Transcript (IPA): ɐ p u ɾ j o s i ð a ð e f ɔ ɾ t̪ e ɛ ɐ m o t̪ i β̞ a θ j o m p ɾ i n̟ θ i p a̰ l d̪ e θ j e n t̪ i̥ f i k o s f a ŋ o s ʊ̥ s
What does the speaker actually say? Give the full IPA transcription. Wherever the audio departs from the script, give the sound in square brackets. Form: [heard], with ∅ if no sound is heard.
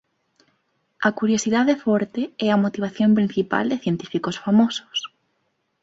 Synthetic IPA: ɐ [k] u ɾ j o s i ð a ð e f ɔ ɾ t̪ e ɛ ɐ m o t̪ i β̞ a θ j o m p ɾ i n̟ θ i p a̰ l d̪ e θ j e n t̪ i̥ f i k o s f a [m] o s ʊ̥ s